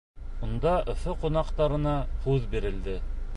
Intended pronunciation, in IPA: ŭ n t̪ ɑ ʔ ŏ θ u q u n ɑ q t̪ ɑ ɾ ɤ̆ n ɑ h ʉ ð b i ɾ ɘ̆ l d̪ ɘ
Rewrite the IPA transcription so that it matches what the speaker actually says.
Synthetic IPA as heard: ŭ n d̪ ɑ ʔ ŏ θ o q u n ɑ q t̪ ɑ ɾ ɤ̆ n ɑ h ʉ ð b i ɾ ɘ̆ l d̪ ɘ

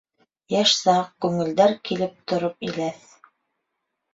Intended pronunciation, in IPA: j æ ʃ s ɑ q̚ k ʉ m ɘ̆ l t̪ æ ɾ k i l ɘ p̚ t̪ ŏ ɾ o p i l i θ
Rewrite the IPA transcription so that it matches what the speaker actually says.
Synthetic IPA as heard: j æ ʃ s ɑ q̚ k ʉ ŋ ɘ̆ l d̪ æ ɾ k i l ɘ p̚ t̪ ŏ ɾ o p i l æ θ

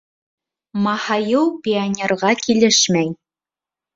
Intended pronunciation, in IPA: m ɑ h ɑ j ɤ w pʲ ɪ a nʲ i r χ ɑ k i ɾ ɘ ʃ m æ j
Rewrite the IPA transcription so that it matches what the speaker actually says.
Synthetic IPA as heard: m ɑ h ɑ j ɤ w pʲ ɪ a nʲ e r ʁ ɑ k i l ɘ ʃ m æ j

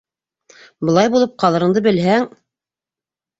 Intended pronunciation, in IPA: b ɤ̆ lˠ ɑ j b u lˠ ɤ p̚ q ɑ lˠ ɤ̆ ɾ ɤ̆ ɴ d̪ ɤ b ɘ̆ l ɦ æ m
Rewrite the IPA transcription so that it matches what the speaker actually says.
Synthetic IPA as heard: b ɤ̆ lˠ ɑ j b u lˠ ɤ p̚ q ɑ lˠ ɤ̆ ɾ ɤ̆ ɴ d̪ ɤ b ɘ̆ l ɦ æ ŋ

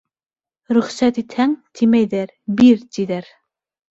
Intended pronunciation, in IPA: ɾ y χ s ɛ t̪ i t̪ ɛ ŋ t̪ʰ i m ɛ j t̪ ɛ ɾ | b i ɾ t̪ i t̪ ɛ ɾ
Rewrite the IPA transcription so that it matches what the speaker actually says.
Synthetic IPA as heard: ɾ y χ s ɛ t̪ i t̪ʰ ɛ ŋ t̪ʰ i m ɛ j d̪ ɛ ɾ | b i ɾ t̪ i d̪ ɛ ɾ

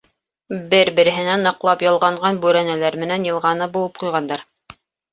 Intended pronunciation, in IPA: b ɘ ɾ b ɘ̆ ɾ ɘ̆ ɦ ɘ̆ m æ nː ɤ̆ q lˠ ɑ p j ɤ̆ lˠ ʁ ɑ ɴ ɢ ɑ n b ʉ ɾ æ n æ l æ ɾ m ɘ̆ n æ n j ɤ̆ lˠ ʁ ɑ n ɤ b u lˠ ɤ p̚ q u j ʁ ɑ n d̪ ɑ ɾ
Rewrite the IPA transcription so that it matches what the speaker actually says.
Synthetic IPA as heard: b ɘ ɾ b ɘ̆ ɾ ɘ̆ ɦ ɘ̆ n æ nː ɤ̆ q lˠ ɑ p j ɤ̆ lˠ ʁ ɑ ɴ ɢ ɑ n b ʉ ɾ æ n æ l æ ɾ m ɘ̆ n æ n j ɤ̆ lˠ ʁ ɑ n ɤ b u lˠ ɤ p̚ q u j ʁ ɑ n d̪ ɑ ɾ

